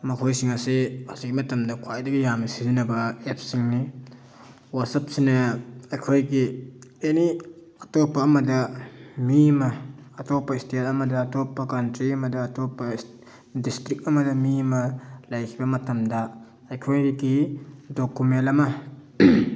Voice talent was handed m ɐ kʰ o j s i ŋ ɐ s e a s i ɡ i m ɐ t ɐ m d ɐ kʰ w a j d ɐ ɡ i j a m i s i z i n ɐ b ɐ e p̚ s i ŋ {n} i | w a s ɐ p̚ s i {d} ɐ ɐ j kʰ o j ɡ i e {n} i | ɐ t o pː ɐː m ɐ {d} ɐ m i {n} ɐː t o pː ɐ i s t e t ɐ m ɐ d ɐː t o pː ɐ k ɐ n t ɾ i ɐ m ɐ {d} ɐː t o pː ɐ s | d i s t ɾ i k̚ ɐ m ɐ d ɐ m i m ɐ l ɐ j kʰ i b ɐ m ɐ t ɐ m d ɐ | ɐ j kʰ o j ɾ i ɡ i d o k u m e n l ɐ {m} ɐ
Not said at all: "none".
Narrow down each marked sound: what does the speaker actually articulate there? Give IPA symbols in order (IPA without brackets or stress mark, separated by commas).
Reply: n, n, n, d, m, d, m